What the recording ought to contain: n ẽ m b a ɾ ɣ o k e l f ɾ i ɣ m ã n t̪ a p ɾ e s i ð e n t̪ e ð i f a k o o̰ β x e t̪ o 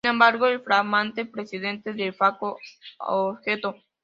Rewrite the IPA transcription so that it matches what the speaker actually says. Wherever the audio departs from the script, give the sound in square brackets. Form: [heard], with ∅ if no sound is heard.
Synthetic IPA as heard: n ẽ m b a ɾ ɣ o [∅] e l f ɾ [a] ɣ m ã n t̪ [e] p ɾ e s i ð e n t̪ e ð [e] f a k o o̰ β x e t̪ o